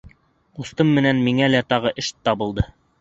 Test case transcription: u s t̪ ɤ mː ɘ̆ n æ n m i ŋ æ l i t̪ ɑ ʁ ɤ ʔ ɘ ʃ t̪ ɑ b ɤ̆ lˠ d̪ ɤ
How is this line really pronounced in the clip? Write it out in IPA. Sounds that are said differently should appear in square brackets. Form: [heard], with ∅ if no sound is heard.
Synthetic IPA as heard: u s t̪ ɤ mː ɘ̆ n æ n m i ŋ æ l [æ] t̪ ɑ ʁ ɤ ʔ ɘ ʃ t̪ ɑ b ɤ̆ lˠ d̪ ɤ

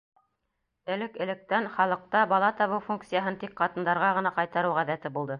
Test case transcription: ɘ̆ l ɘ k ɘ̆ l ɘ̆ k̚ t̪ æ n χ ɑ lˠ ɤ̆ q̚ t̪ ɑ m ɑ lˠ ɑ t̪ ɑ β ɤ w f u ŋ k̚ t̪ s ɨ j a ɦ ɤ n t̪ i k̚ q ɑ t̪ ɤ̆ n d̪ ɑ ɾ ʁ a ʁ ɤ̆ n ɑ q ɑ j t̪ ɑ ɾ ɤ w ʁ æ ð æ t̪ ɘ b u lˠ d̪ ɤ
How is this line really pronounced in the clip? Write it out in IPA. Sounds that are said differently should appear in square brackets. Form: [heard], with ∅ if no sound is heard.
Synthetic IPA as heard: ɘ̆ l ɘ k ɘ̆ l ɘ̆ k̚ t̪ æ n χ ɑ lˠ ɤ̆ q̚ t̪ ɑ [b] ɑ lˠ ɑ t̪ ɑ β ɤ w f u ŋ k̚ t̪ s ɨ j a ɦ ɤ n t̪ i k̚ q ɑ t̪ ɤ̆ n d̪ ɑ ɾ ʁ [ɑ] ʁ ɤ̆ n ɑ q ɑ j t̪ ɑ ɾ ɤ w ʁ æ ð æ t̪ ɘ b u lˠ d̪ ɤ

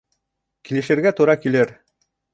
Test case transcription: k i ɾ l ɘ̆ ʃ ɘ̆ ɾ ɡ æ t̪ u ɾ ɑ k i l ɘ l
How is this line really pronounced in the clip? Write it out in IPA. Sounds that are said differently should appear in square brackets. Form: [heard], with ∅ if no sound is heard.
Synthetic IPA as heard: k i [∅] l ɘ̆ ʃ ɘ̆ ɾ ɡ æ t̪ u ɾ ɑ k i l ɘ [ɾ]

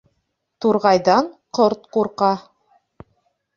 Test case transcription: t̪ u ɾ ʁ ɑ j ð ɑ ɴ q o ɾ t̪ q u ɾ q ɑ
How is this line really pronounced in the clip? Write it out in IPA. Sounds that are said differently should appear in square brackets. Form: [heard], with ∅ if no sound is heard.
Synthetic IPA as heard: t̪ u ɾ ʁ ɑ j ð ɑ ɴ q o ɾ t̪ q u ɾ q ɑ

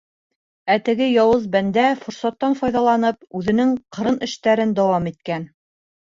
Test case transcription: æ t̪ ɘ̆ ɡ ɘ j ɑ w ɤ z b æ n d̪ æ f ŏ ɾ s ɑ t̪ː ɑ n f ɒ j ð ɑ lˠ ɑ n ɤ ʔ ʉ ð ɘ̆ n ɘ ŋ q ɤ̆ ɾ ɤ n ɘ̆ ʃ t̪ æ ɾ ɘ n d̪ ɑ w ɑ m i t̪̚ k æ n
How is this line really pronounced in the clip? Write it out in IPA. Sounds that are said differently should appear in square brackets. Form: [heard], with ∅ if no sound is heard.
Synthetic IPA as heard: æ t̪ ɘ̆ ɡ ɘ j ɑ w ɤ z b æ n d̪ æ f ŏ ɾ s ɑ t̪ː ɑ n f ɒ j ð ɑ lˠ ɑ n ɤ [p] ʉ ð ɘ̆ n ɘ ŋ q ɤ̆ ɾ ɤ n ɘ̆ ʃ t̪ æ ɾ ɘ n d̪ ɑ w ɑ m i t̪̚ k æ n

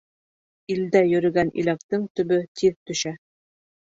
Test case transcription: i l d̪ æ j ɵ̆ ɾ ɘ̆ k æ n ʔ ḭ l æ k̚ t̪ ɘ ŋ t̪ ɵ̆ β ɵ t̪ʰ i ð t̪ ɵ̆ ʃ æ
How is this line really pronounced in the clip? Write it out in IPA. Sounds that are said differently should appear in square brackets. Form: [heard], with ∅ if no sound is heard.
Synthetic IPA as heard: i l d̪ æ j ɵ̆ ɾ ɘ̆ [ɡ] æ n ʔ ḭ l æ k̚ t̪ ɘ ŋ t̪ ɵ̆ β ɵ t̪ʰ i ð t̪ ɵ̆ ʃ æ

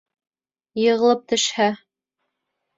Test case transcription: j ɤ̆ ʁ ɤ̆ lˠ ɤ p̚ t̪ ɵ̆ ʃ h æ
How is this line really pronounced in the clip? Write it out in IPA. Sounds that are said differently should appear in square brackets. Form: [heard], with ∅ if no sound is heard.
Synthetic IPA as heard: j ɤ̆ ʁ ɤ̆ lˠ ɤ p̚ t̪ ɵ̆ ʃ h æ

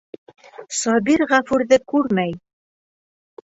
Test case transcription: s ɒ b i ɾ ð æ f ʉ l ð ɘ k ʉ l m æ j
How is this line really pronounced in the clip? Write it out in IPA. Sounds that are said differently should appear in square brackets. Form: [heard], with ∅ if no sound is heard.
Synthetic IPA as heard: s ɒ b i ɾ [ʁ] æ f ʉ [ɾ] ð ɘ k ʉ [ɾ] m æ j

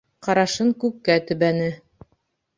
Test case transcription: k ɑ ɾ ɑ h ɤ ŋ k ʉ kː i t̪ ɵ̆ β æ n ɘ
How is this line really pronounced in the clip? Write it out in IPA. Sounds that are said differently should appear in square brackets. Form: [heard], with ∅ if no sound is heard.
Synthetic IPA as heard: [q] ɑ ɾ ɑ [ʃ] ɤ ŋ k ʉ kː [æ] t̪ ɵ̆ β æ n ɘ

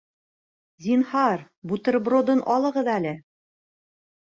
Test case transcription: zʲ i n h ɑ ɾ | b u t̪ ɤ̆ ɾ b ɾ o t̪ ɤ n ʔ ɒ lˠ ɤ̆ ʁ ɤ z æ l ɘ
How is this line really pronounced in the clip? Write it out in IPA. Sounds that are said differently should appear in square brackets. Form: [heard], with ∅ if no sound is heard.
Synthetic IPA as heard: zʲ i n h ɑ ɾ | b u t̪ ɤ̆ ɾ b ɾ o [d̪] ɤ n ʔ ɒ lˠ ɤ̆ ʁ ɤ [ð] æ l ɘ

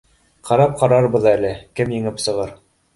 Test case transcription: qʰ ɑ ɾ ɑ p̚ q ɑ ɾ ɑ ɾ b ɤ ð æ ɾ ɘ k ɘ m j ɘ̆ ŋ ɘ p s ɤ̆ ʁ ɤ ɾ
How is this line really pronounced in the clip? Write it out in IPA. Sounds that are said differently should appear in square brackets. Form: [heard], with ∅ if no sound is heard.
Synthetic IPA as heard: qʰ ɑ ɾ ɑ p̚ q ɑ ɾ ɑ ɾ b ɤ ð æ [l] ɘ k ɘ m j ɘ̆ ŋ ɘ p s ɤ̆ ʁ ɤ ɾ

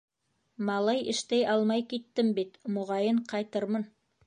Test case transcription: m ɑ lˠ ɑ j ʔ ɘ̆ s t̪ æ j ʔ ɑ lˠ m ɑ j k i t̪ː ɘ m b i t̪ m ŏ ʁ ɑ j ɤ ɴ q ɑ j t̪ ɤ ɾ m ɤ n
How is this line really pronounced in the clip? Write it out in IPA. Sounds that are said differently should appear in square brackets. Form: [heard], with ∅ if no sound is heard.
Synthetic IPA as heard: m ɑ lˠ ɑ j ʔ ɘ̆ [ʃ] t̪ æ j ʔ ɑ lˠ m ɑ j k i t̪ː ɘ m b i t̪ m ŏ ʁ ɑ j ɤ ɴ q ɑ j t̪ ɤ ɾ m ɤ n

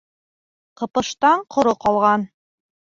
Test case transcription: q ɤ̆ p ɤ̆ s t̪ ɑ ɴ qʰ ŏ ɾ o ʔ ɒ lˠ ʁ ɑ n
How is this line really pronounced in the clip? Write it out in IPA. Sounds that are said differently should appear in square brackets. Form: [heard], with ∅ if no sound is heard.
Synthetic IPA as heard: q ɤ̆ p ɤ̆ [ʃ] t̪ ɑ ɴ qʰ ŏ ɾ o [q] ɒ lˠ ʁ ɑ n

